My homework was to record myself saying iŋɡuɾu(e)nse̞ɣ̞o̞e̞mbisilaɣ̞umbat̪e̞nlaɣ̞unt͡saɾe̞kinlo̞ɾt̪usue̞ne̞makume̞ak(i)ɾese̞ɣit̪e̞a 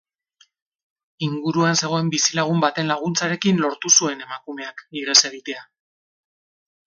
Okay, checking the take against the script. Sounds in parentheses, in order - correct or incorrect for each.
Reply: incorrect: a, correct

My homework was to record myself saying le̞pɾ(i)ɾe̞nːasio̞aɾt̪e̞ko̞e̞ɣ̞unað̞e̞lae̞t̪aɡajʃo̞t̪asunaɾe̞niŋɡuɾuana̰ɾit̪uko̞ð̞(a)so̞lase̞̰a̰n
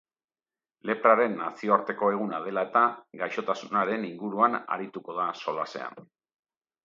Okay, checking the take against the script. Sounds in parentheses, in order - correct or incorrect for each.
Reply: incorrect: a, correct

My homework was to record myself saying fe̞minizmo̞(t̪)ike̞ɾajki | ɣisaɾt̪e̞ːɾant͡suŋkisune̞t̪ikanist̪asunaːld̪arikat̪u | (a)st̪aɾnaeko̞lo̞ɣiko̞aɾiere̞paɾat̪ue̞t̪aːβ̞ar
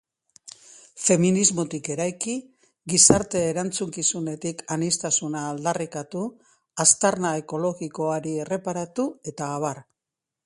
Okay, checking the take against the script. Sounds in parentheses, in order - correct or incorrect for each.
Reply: correct, correct

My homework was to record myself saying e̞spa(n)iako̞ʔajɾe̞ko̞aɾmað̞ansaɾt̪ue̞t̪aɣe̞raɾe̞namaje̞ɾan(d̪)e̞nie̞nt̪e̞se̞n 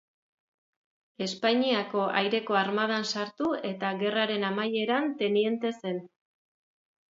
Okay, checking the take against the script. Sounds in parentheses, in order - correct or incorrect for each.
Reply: incorrect: ɲ, incorrect: t̪

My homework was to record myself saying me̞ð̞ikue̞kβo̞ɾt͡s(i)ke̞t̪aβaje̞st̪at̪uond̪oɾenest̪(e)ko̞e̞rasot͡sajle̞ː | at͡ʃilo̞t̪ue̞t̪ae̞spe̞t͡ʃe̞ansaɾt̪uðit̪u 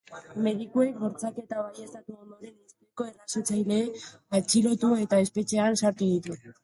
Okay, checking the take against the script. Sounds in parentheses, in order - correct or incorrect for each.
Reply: incorrect: a, correct

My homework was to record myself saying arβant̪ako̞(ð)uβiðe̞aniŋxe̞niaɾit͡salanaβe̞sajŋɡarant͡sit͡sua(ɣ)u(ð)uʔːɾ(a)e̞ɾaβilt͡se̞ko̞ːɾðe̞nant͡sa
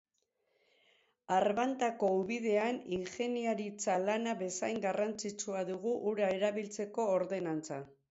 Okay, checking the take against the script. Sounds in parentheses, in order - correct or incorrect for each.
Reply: incorrect: none, incorrect: ð, incorrect: ɣ, correct

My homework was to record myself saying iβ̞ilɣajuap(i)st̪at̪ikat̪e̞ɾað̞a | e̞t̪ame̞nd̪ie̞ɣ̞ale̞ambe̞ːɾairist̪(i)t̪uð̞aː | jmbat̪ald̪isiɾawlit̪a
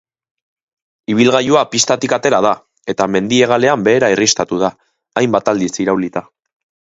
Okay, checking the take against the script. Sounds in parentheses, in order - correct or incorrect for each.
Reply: correct, incorrect: a

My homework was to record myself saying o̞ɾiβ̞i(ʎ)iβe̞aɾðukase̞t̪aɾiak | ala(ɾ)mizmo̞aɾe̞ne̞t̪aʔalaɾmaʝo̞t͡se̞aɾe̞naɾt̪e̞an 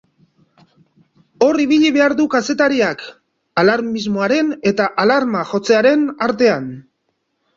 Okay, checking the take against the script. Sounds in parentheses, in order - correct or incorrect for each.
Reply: correct, correct

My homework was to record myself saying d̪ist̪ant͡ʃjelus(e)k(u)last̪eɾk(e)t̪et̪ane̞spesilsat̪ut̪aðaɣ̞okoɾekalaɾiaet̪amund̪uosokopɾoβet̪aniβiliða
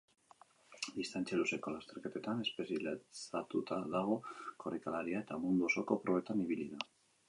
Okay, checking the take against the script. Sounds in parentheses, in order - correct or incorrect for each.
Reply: correct, incorrect: o, correct

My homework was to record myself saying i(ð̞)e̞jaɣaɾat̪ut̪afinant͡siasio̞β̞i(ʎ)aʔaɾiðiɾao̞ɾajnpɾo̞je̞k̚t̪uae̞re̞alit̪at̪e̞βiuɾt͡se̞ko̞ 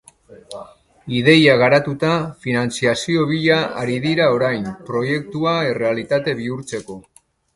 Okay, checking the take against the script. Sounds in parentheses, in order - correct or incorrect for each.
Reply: correct, correct

